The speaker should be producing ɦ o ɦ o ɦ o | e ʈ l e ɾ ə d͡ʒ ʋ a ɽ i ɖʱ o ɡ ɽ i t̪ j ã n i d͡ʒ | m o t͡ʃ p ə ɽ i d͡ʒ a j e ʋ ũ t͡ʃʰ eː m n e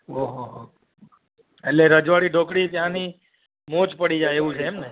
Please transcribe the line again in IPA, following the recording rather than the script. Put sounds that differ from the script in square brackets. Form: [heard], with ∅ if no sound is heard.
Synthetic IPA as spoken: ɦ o ɦ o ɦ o | e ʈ l e ɾ ə d͡ʒ ʋ a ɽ i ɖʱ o [k] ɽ i t̪ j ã n i [∅] | m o t͡ʃ p ə ɽ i d͡ʒ a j e ʋ ũ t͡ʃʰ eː m n e